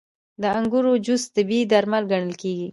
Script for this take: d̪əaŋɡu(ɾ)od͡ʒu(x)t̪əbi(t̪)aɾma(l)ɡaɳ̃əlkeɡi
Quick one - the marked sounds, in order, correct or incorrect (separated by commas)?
correct, incorrect, incorrect, correct